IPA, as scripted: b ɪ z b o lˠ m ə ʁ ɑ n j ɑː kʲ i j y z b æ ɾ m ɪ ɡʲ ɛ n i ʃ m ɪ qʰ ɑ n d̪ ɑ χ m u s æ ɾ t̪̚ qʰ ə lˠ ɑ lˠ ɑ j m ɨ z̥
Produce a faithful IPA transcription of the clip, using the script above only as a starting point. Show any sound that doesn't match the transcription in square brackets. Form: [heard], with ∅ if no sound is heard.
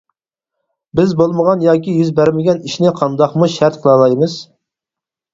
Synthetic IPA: b ɪ z b o lˠ m ə ʁ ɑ n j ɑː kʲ i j y z b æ ɾ m ɪ ɡʲ ɛ n i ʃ [n] ɪ qʰ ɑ n d̪ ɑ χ m u [ʃ] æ ɾ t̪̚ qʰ ə lˠ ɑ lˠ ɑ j m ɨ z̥